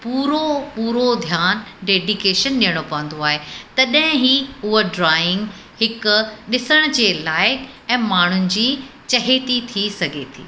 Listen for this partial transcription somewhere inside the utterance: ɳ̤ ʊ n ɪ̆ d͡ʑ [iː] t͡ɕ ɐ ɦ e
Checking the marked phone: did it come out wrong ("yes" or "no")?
no